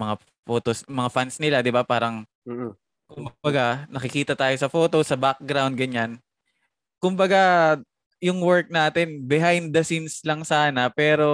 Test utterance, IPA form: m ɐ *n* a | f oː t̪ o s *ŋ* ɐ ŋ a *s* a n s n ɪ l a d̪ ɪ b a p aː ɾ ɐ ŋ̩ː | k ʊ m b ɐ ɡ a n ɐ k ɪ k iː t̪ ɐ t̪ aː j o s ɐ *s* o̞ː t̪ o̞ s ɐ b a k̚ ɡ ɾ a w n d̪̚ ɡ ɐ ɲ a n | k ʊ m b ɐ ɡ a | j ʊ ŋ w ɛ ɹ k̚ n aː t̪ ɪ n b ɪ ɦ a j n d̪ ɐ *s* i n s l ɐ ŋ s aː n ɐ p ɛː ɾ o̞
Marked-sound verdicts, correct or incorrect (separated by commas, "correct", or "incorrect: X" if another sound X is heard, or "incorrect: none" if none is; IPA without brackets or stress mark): incorrect: ŋ, incorrect: m, incorrect: f, incorrect: f, correct